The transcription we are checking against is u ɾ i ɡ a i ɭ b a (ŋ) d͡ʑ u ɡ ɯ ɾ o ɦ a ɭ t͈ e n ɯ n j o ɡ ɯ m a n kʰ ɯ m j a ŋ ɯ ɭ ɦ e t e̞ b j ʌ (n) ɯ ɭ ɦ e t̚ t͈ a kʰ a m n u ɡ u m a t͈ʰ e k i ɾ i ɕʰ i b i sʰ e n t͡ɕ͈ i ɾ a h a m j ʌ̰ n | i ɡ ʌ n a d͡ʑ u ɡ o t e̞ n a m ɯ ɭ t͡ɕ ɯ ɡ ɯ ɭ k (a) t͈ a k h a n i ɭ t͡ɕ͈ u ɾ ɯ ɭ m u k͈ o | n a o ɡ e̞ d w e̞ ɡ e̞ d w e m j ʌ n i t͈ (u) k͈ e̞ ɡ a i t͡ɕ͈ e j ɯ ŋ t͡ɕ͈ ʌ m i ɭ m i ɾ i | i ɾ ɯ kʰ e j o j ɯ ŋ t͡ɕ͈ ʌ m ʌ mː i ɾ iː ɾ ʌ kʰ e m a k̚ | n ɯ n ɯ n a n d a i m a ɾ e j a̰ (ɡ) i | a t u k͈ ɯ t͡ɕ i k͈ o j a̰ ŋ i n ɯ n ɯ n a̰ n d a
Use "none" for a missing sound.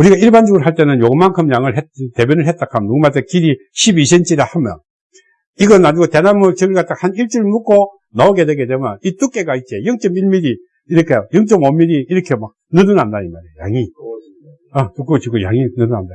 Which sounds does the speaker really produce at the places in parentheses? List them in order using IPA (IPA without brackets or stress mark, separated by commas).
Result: n, n, a, u, ŋ